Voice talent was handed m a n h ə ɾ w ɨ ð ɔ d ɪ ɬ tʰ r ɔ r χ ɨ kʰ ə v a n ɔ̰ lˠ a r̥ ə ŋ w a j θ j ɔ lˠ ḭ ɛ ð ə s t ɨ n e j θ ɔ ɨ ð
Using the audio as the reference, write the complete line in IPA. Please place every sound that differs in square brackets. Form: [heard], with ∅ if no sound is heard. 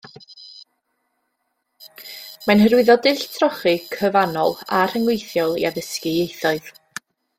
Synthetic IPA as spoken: m a n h ə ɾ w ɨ ð ɔ d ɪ ɬ tʰ r ɔ [∅] χ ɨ kʰ ə v a n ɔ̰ lˠ a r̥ ə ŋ w [e] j θ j ɔ lˠ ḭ [a] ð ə s [k] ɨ [∅] e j θ ɔ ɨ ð